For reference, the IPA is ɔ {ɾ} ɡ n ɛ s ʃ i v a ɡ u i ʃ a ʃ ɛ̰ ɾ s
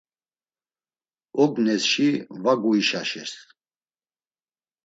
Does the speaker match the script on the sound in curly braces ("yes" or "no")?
no